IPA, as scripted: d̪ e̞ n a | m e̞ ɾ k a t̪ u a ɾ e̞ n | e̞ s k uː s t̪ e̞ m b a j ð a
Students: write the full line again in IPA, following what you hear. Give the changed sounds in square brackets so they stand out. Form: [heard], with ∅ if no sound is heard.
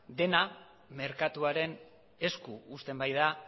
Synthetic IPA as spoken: d̪ e̞ n a | m e̞ ɾ k a t̪ u a ɾ e̞ n | e̞ s k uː s t̪ e̞ m b a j ð a

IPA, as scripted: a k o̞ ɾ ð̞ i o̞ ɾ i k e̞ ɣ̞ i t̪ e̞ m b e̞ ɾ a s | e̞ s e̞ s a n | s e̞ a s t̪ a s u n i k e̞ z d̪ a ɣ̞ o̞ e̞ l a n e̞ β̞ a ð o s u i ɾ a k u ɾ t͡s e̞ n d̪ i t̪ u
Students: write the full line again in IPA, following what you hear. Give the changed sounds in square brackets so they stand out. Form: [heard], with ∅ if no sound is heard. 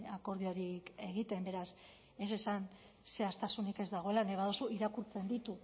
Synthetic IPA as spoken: a k o̞ ɾ ð̞ i o̞ ɾ i k e̞ ɣ̞ i t̪ e̞ m b e̞ ɾ a s | e̞ s e̞ s a n | s e̞ a s t̪ a s u n i k e̞ z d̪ a ɣ̞ o̞ e̞ l a n e̞ β̞ a ð o s u i ɾ a k u ɾ t͡s e̞ n d̪ i t̪ u

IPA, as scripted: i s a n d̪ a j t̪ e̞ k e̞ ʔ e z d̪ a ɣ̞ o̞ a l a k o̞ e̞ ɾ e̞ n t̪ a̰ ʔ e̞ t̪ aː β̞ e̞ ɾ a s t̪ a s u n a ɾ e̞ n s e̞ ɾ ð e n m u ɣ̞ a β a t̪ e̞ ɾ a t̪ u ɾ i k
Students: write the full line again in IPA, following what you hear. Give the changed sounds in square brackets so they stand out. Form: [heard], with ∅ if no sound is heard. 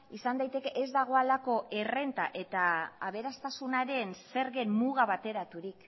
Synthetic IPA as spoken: i s a n d̪ a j t̪ e̞ k e̞ ʔ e z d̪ a ɣ̞ o̞ a l a k o̞ e̞ [r] e̞ n t̪ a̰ ʔ e̞ t̪ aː β̞ e̞ ɾ a s t̪ a s u n a ɾ e̞ n s e̞ ɾ [ɣ] e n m u ɣ̞ a β a t̪ e̞ ɾ a t̪ u ɾ i k

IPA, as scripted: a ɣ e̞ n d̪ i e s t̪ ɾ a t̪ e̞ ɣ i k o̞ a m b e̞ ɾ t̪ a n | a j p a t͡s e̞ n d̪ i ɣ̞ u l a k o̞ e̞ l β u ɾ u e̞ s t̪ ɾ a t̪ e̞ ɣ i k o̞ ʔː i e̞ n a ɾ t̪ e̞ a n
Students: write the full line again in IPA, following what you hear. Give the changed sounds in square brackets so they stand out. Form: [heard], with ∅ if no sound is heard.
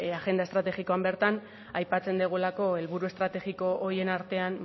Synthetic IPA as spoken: a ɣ e̞ n d̪ [a] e s t̪ ɾ a t̪ e̞ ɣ i k o̞ a m b e̞ ɾ t̪ a n | a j p a t͡s e̞ n d̪ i ɣ̞ u l a k o̞ e̞ l β u ɾ u e̞ s t̪ ɾ a t̪ e̞ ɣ i k o̞ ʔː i e̞ n a ɾ t̪ e̞ a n

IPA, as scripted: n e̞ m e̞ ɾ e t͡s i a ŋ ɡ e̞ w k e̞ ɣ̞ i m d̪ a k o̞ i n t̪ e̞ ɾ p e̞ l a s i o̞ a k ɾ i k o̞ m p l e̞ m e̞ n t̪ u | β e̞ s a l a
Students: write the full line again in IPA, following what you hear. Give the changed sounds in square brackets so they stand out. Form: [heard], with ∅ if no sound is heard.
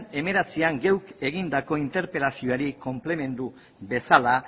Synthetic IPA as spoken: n e̞ m e̞ ɾ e t͡s i a ŋ ɡ e̞ w k e̞ ɣ̞ i [n] d̪ a k o̞ i n t̪ e̞ ɾ p e̞ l a s i o̞ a [∅] ɾ i k o̞ m p l e̞ m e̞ n [d̪] u | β e̞ s a l a

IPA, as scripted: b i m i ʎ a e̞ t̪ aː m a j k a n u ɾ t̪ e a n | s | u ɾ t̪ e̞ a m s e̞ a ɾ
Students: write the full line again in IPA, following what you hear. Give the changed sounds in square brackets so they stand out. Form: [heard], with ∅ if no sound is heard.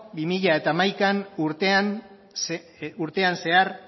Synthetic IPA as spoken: b i m i ʎ a e̞ t̪ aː m a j k a n u ɾ t̪ e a n | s | u ɾ t̪ e̞ a [n] s e̞ a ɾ

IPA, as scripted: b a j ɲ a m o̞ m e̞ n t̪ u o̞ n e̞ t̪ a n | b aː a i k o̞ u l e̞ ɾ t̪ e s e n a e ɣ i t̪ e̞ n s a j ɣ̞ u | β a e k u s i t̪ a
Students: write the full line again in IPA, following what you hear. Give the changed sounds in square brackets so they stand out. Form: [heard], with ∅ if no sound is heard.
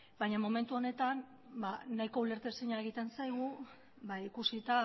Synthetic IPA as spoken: b a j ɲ a m o̞ m e̞ n t̪ u o̞ n e̞ t̪ a n | b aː a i k o̞ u l e̞ ɾ t̪ e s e [ɲ] a e ɣ i t̪ e̞ n s a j ɣ̞ u | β a [i] k u s i t̪ a

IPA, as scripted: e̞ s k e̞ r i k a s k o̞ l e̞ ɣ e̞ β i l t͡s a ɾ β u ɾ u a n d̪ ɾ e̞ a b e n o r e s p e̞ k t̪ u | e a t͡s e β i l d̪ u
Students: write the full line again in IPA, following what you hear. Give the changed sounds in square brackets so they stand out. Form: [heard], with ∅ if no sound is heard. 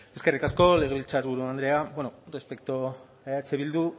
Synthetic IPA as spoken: e̞ s k e̞ r i k a s k o̞ l e̞ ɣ e̞ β i l t͡s a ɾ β u ɾ u a n d̪ ɾ e̞ a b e n o r e s p e̞ k t̪ [o] | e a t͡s e β i l d̪ u

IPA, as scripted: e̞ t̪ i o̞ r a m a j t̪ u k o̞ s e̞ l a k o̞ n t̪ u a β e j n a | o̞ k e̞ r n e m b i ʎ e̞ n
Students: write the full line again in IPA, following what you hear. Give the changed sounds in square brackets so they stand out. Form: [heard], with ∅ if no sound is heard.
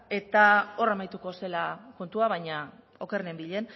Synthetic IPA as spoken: e̞ t̪ [a] o̞ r a m a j t̪ u k o̞ s e̞ l a k o̞ n t̪ u a β [a] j [ɲ] a | o̞ k e̞ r n e m b i ʎ e̞ n

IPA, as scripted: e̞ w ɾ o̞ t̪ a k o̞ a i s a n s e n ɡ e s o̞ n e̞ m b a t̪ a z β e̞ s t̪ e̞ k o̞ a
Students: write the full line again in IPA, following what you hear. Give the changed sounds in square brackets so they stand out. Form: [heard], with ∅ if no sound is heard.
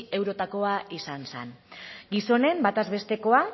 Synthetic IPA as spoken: e̞ w ɾ o̞ t̪ a k o̞ a i s a n s e n ɡ [i] s o̞ n e̞ m b a t̪ a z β e̞ s t̪ e̞ k o̞ a

